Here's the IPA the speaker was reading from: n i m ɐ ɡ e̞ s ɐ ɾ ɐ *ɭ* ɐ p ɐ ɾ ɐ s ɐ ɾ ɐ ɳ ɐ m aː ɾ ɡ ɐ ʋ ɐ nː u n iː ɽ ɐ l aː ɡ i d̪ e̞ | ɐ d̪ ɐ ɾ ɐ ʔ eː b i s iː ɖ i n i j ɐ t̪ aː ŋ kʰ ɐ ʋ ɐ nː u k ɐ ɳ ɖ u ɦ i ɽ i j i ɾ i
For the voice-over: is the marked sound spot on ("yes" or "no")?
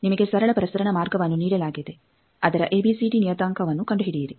yes